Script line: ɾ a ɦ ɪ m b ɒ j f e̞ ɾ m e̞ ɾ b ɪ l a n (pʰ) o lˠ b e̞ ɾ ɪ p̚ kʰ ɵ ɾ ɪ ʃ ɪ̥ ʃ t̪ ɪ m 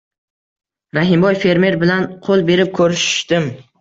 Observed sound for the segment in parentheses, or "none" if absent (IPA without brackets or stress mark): qʰ